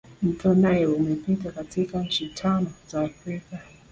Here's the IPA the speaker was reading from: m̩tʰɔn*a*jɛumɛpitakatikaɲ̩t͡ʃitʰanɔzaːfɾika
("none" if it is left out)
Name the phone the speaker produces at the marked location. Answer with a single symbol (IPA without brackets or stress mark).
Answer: a